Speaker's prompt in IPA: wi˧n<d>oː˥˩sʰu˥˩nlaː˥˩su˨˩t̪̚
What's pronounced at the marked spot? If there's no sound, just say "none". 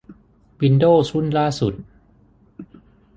d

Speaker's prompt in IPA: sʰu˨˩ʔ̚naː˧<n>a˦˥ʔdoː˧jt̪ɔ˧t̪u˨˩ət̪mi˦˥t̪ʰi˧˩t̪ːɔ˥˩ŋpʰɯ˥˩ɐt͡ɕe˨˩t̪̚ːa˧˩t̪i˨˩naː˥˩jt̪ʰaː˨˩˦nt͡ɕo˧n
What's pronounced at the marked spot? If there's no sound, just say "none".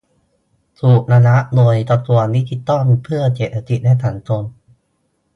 n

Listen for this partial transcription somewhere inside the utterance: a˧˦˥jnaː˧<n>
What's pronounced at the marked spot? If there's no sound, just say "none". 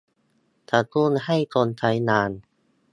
n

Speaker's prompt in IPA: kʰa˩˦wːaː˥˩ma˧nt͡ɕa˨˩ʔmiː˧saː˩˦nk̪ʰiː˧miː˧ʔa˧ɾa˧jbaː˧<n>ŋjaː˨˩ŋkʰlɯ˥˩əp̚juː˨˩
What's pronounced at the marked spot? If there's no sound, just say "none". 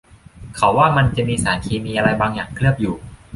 none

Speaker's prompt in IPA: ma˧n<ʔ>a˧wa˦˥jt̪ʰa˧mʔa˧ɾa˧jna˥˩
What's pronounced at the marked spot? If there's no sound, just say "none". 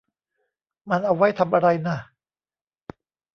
ʔ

